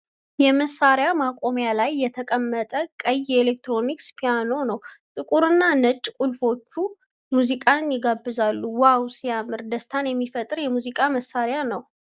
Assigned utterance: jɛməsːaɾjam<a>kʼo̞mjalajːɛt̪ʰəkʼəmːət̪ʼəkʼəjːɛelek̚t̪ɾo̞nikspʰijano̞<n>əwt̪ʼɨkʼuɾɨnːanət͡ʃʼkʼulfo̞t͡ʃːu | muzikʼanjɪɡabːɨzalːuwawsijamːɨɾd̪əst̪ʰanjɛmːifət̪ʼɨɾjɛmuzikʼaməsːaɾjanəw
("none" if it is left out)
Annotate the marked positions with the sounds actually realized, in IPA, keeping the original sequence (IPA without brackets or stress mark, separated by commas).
a, n